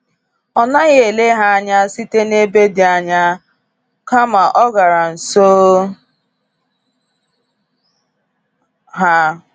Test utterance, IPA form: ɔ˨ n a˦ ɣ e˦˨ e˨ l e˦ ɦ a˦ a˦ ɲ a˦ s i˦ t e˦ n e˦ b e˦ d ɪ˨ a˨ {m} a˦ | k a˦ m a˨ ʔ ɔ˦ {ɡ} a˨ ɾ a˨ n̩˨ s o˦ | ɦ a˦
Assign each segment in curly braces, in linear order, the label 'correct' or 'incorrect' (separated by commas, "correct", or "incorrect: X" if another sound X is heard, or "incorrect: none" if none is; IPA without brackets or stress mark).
incorrect: ɲ, correct